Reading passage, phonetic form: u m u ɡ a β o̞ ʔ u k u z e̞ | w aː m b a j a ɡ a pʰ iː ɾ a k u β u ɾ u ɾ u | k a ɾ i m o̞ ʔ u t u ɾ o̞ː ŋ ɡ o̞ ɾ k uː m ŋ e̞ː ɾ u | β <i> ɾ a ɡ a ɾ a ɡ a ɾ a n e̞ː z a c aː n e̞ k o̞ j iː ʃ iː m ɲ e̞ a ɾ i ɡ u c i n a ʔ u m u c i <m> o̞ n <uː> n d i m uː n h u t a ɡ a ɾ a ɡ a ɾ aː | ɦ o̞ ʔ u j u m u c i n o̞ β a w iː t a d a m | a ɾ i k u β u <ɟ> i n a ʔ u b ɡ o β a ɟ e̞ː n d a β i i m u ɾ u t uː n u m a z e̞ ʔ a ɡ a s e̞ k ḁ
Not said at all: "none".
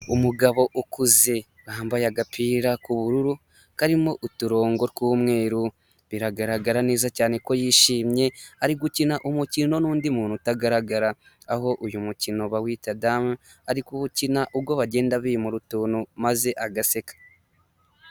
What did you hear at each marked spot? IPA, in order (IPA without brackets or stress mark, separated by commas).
i, n, uː, c